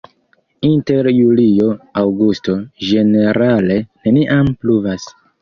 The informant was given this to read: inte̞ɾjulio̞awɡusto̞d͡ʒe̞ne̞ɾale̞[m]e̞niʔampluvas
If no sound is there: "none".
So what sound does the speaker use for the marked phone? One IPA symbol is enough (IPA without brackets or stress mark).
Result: n